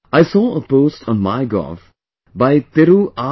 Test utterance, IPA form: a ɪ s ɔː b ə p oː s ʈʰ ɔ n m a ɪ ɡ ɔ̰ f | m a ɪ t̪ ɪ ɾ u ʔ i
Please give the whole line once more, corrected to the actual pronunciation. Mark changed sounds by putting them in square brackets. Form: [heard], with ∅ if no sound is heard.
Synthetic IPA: a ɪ s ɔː [∅] ə p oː s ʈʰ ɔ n m a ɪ ɡ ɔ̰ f | [b] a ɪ t̪ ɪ ɾ u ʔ [a]